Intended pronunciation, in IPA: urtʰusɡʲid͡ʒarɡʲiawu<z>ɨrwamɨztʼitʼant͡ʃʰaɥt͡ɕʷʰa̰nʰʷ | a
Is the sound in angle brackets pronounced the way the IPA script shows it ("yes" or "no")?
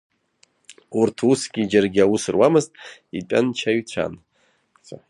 no